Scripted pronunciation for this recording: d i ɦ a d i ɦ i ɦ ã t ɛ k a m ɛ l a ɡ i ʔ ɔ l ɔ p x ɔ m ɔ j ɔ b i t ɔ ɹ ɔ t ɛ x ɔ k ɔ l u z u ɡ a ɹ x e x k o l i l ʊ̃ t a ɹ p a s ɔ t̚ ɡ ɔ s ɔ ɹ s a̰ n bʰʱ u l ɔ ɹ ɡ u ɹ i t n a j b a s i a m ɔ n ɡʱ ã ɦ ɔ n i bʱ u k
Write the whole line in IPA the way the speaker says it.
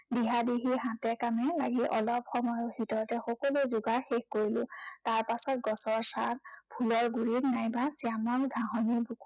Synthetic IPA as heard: d i ɦ a d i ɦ i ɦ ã t ɛ k a m ɛ l a ɡ i ʔ ɔ l ɔ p x ɔ m ɔ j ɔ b i t ɔ ɹ ɔ t ɛ x ɔ k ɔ l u z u ɡ a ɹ x e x k o ɹ i l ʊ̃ t a ɹ p a s ɔ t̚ ɡ ɔ s ɔ ɹ s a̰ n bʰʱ u l ɔ ɹ ɡ u ɹ i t n a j b a s i a m ɔ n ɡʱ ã ɦ ɔ n i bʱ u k